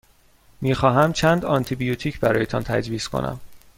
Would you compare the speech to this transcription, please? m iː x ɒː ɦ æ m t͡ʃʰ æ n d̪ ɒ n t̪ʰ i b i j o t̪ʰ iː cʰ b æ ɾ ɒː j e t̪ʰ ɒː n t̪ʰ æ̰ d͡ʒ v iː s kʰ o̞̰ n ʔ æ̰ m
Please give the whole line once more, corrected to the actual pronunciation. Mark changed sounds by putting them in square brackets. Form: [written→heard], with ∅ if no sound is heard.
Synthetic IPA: m iː x ɒː ɦ æ m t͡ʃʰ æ n d̪ ɒ n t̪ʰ i b i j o t̪ʰ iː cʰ b æ ɾ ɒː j e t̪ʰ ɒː n t̪ʰ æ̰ d͡ʒ v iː s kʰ o̞̰ n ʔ æ̰ m